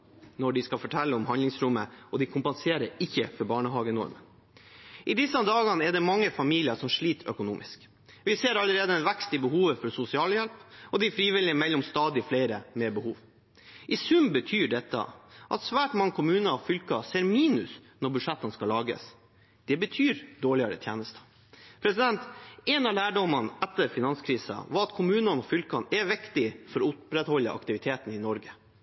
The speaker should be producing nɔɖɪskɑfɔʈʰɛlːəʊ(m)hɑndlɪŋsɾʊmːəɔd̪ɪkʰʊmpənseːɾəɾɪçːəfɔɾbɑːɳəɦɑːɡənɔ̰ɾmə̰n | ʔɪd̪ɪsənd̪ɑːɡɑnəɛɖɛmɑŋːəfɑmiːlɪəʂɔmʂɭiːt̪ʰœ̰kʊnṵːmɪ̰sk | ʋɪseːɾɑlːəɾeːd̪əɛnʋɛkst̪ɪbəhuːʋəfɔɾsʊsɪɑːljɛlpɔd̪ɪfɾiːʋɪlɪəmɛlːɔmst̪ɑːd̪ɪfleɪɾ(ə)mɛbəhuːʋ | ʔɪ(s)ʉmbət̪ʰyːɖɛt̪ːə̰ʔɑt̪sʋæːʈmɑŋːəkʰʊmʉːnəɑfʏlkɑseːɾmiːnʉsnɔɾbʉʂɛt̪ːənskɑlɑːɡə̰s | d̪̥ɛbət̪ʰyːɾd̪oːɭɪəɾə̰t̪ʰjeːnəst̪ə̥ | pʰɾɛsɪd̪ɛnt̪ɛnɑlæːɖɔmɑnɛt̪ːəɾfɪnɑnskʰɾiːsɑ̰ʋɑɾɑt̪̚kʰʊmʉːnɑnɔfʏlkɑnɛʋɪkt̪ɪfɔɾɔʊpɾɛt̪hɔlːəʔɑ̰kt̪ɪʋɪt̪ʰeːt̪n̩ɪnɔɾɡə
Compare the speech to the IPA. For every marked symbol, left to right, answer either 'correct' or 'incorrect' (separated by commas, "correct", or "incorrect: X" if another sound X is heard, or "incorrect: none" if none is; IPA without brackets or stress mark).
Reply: correct, correct, correct